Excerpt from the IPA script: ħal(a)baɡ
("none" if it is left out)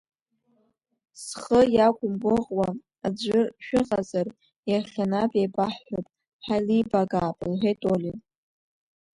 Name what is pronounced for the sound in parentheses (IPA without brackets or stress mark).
i